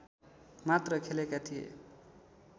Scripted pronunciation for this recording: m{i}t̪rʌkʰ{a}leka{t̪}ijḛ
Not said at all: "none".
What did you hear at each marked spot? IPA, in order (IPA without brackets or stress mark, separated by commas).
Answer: a, e, t̪ʰ